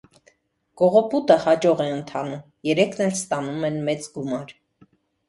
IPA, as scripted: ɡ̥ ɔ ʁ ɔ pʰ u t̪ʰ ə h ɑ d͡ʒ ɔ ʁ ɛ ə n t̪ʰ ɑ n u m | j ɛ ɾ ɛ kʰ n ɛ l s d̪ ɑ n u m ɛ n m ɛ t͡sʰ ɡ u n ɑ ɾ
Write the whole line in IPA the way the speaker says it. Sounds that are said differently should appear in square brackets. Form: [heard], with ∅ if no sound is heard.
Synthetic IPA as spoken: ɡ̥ ɔ ʁ ɔ [p] u [t̪] ə h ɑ d͡ʒ ɔ ʁ ɛ ə n t̪ʰ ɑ n u m | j ɛ ɾ ɛ kʰ n ɛ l s [t̪] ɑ n u m ɛ n m ɛ [t͡s] ɡ u [m] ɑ ɾ